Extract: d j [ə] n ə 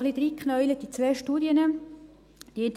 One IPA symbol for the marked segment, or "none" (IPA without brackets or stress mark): ə